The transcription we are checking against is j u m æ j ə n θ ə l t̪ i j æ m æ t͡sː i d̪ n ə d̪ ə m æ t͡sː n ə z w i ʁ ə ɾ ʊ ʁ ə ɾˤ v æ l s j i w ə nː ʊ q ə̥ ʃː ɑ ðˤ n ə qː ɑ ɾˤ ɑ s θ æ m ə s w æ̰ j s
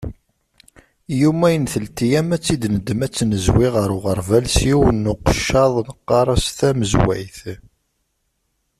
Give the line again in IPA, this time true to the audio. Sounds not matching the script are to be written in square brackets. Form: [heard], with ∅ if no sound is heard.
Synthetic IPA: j u m æ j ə n θ ə l t̪ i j æ m æ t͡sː i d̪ n ə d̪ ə m æ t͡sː n ə z w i ʁ ə ɾ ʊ ʁ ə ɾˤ v æ l s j i w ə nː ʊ q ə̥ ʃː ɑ ðˤ n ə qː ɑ ɾˤ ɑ s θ æ m ə [z] w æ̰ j [θ]